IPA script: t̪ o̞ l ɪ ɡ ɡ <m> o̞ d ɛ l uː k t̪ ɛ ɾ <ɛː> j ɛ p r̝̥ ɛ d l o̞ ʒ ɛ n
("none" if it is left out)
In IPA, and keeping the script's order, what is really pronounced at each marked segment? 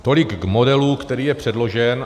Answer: m, iː

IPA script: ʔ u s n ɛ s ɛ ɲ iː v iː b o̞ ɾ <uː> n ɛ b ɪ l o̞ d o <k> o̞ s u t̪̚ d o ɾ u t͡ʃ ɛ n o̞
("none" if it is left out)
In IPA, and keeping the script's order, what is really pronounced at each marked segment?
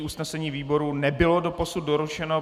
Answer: u, p

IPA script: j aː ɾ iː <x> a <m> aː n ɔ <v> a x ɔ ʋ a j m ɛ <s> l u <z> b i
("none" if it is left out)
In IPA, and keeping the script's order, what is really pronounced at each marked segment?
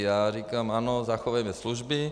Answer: k, m, z, s, ʒ

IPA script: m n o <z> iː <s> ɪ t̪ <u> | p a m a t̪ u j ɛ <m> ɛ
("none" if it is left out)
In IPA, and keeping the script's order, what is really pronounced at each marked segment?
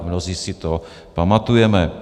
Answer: z, s, o, m

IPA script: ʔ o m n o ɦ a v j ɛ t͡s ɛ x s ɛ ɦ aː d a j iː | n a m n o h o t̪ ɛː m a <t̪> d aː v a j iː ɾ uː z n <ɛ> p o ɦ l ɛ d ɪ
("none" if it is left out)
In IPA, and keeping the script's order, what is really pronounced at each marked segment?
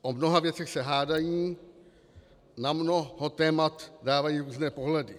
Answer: t̪, ɛː

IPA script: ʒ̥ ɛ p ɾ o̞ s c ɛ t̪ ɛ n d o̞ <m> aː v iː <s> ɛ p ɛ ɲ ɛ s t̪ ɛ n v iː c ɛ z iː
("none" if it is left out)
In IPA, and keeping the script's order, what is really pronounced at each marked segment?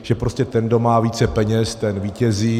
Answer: m, t͡s

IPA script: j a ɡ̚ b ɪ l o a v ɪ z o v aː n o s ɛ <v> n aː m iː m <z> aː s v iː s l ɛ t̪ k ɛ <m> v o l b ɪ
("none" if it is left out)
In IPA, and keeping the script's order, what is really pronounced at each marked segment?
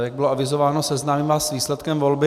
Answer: z, v, m

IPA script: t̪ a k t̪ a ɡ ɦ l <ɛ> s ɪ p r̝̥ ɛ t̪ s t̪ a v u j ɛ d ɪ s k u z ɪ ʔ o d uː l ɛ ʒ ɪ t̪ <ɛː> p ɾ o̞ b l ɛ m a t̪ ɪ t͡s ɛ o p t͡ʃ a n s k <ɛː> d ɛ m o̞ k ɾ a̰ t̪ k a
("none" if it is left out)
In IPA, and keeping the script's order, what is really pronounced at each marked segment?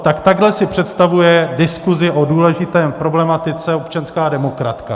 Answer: ɛ, ɛː, aː

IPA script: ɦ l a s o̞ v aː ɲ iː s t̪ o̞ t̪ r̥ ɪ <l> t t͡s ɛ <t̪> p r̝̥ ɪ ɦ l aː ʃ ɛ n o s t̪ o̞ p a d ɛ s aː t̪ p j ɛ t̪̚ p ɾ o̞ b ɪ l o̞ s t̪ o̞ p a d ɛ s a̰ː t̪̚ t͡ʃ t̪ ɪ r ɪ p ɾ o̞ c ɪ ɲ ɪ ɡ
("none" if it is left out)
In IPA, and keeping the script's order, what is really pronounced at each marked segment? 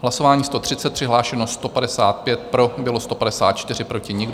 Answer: none, t̪

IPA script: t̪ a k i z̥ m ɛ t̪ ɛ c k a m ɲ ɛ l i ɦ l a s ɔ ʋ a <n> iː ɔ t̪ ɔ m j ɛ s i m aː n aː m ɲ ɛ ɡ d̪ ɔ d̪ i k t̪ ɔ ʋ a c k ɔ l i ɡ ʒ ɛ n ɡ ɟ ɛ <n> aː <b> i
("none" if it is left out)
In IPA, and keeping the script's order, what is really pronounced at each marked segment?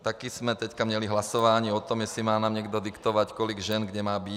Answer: ɲ, m, b

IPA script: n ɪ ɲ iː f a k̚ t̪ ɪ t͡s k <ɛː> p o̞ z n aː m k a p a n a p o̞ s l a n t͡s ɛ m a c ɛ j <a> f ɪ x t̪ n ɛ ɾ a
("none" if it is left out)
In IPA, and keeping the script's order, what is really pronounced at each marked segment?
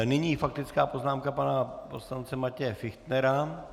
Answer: aː, ɛ

